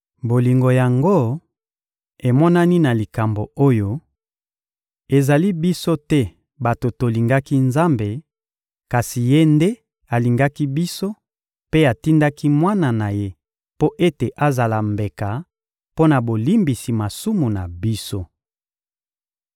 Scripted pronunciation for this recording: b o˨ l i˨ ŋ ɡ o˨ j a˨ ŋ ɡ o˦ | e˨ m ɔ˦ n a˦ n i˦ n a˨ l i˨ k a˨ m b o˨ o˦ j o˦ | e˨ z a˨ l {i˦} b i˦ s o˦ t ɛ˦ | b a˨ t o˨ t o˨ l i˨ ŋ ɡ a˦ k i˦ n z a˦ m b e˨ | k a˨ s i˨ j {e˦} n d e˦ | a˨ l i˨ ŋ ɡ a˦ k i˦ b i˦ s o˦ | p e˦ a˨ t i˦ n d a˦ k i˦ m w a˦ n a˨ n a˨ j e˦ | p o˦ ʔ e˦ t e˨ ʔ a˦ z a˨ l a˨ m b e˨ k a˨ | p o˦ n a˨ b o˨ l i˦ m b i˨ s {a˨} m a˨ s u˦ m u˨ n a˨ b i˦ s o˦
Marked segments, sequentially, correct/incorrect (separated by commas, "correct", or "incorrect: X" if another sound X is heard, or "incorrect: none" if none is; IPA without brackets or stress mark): correct, correct, incorrect: i˨